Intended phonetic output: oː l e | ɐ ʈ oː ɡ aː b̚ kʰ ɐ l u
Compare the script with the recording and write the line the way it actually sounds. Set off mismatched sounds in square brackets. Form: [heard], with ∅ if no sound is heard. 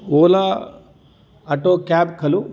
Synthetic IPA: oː l [a] | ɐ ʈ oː [k] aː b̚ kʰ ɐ l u